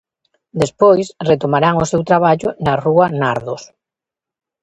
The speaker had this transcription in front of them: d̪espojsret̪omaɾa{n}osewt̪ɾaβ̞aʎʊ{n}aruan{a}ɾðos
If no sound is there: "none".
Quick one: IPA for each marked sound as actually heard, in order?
ŋ, n, a

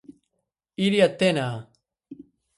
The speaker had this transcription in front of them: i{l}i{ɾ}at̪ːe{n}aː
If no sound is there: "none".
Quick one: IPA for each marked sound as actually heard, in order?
ɾ, none, n

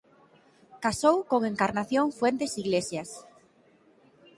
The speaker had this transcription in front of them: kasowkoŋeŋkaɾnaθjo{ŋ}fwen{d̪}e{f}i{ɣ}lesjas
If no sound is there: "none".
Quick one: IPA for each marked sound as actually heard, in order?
ŋ, t̪, s, ɣ

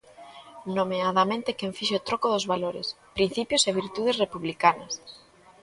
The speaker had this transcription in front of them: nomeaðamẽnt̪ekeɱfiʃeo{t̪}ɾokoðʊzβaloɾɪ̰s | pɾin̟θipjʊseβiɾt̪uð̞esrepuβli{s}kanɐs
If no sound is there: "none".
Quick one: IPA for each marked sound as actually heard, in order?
t̪, none

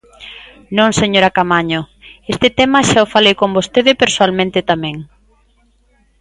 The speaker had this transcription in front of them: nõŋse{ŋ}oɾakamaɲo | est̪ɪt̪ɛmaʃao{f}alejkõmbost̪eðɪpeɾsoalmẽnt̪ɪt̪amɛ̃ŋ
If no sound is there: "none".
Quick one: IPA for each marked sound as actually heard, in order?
ɲ, f

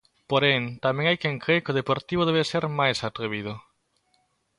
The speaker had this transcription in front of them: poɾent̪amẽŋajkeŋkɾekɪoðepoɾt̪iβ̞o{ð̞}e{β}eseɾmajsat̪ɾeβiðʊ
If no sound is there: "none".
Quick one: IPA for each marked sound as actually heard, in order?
ð̞, β

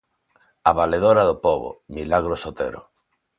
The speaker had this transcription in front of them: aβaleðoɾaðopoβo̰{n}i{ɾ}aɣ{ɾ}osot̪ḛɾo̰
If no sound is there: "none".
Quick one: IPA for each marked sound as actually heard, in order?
m, l, ɾ

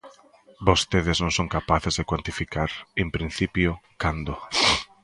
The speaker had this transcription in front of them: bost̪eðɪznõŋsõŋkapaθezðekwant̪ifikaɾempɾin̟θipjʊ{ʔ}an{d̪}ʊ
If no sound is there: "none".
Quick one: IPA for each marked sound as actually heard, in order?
k, d̪

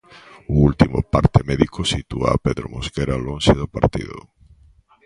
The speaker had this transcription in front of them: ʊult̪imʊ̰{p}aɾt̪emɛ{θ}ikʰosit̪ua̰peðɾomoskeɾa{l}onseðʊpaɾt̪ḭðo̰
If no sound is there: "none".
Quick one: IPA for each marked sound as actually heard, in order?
p, ð, l

